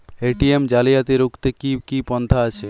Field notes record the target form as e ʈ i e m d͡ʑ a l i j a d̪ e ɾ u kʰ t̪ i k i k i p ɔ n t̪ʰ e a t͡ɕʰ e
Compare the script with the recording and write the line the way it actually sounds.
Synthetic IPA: e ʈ i e m d͡ʑ a l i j a t̪ e ɾ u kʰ t̪ e k i k i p ɔ n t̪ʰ a a t͡ɕʰ e